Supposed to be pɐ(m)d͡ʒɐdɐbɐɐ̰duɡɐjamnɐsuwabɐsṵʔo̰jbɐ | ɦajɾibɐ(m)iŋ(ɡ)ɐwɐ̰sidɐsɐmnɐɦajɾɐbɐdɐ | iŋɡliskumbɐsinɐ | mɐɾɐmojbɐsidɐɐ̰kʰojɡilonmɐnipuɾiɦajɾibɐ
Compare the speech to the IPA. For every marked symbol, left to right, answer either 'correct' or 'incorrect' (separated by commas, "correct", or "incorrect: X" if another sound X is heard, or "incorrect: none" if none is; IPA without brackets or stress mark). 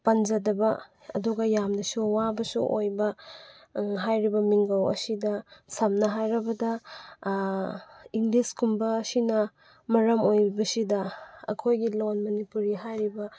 incorrect: n, correct, correct